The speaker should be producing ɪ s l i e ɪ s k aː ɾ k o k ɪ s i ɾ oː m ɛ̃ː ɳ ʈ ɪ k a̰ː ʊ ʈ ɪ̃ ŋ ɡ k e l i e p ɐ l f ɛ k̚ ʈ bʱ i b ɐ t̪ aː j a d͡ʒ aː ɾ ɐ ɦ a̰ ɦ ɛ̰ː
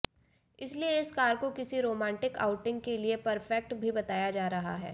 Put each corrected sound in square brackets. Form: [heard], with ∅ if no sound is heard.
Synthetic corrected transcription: ɪ s l i e ɪ s k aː ɾ k o k ɪ s i ɾ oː m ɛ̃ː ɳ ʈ ɪ k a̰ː ʊ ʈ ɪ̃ ŋ ɡ k e l i e p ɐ [ɾ] f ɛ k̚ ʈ bʱ i b ɐ t̪ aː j a d͡ʒ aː ɾ ɐ ɦ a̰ ɦ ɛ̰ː